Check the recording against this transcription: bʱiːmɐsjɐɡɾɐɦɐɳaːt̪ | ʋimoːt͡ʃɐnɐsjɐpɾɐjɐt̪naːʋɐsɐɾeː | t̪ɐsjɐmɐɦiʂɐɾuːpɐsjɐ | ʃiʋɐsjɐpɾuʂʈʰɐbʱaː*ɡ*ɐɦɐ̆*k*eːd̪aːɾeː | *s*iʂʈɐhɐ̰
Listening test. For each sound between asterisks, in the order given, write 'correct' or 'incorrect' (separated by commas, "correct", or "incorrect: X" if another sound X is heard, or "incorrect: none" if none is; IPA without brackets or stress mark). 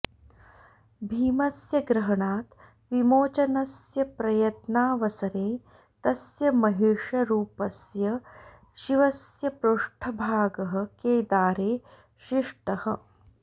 correct, correct, incorrect: ʃ